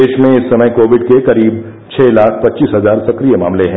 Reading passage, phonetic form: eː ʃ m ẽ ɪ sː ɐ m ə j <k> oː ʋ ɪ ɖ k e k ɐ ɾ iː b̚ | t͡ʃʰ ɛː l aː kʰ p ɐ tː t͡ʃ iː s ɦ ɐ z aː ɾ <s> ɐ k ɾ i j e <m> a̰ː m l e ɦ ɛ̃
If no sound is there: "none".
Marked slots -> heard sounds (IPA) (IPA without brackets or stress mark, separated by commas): k, s, m